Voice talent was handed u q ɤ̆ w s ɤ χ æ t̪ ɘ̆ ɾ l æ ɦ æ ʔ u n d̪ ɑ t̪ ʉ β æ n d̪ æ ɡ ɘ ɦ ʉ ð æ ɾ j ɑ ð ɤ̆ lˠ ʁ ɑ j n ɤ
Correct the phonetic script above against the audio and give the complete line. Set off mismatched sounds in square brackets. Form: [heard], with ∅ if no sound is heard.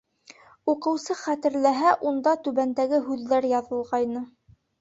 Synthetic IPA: u q ɤ̆ w s ɤ χ æ t̪ ɘ̆ ɾ l æ ɦ æ ʔ u n d̪ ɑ t̪ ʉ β æ n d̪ æ ɡ ɘ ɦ ʉ [ðː] æ ɾ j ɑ ð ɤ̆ lˠ ʁ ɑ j n ɤ